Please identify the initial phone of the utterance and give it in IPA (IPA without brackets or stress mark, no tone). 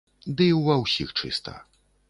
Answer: d̪